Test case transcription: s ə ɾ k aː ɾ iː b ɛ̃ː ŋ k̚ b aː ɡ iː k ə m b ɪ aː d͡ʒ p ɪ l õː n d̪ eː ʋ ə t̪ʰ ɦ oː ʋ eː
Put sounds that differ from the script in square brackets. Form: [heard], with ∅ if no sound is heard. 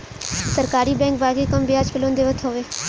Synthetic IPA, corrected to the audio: s ə ɾ k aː ɾ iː b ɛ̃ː ŋ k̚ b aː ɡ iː k ə m b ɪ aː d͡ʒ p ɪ l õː n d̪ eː ʋ ə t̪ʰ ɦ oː ʋ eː